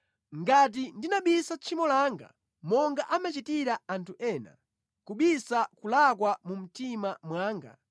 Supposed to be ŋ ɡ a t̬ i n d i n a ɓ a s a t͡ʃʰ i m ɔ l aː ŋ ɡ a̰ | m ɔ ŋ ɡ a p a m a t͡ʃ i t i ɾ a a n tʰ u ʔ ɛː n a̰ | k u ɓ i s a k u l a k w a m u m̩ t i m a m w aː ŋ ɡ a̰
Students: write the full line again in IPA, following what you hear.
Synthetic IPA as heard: ŋ ɡ a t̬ i n d i n a ɓ i s a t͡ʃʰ i m ɔ l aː ŋ ɡ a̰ | m ɔ ŋ ɡ a ʔ a m a t͡ʃ i t i ɾ a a n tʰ u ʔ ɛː n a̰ | k u ɓ i s a k u l a k w a m u m̩ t i m a m w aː ŋ ɡ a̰

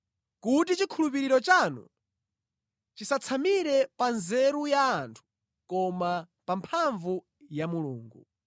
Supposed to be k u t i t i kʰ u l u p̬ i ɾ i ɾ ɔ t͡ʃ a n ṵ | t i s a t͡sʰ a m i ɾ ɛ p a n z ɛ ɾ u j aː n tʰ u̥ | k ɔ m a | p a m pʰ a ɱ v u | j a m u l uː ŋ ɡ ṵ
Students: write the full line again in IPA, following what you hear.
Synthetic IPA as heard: k u t i t͡ʃ i kʰ u l u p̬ i ɾ i ɾ ɔ t͡ʃ a n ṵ | t͡ʃ i s a t͡sʰ a m i ɾ ɛ p a n z ɛ ɾ u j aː n tʰ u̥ | k ɔ m a | p a m pʰ a ɱ v u | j a m u l uː ŋ ɡ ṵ

